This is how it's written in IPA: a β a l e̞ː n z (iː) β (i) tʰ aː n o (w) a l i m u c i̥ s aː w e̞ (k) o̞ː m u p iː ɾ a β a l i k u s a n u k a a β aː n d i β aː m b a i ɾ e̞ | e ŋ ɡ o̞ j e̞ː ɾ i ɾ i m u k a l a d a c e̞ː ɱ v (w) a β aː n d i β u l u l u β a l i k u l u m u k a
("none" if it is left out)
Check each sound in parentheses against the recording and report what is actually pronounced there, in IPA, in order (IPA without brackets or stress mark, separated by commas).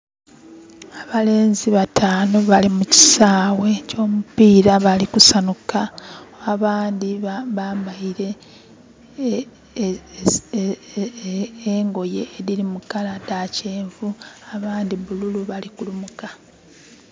i, a, β, c, u